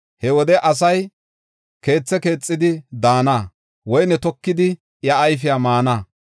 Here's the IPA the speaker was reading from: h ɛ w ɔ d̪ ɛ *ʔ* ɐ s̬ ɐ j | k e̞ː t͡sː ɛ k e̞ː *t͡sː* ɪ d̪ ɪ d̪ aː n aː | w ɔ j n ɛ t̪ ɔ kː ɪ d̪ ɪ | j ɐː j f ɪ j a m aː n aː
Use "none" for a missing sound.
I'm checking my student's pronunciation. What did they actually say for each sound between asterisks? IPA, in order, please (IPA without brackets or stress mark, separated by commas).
ʔ, t͡sʼː